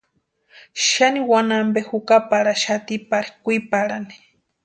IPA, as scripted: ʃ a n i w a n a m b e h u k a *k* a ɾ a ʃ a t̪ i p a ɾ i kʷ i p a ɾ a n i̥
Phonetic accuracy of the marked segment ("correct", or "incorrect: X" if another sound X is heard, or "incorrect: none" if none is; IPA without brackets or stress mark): incorrect: p